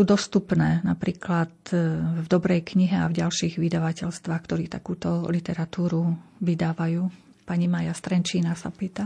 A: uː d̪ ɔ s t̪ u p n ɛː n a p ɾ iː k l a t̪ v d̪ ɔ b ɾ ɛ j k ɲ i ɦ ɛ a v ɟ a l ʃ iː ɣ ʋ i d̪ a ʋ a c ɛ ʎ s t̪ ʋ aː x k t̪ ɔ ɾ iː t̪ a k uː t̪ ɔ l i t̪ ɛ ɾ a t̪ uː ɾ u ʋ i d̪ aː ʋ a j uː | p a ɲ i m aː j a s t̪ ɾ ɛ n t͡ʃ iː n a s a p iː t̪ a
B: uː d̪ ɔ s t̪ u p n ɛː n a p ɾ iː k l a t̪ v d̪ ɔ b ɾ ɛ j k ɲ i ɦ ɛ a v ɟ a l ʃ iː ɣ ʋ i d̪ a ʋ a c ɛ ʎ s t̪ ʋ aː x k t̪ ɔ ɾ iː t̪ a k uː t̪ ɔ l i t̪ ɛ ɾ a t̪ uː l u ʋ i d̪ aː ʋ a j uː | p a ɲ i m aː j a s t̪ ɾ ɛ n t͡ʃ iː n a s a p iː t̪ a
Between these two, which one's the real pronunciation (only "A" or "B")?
A